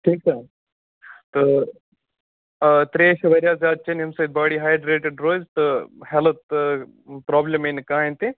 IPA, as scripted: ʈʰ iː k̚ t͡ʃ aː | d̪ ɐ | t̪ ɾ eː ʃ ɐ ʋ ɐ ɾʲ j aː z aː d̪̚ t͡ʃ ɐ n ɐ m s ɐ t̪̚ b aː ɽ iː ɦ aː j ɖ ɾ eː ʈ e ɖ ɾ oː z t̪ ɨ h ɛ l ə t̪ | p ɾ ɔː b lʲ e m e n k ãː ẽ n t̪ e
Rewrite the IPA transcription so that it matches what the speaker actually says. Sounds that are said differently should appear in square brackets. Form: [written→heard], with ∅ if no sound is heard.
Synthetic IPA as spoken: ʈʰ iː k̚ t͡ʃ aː | [d̪→t̪] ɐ | t̪ ɾ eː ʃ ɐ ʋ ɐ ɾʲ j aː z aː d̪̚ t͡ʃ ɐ n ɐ m s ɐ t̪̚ b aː ɽ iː ɦ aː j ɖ ɾ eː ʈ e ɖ ɾ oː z t̪ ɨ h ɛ l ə t̪ | p ɾ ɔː b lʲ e m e n k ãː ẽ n t̪ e